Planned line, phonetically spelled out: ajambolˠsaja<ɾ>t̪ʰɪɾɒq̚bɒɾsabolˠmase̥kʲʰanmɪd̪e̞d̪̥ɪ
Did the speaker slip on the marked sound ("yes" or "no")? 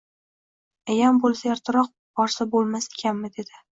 no